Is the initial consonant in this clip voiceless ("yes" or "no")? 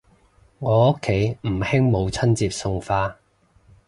no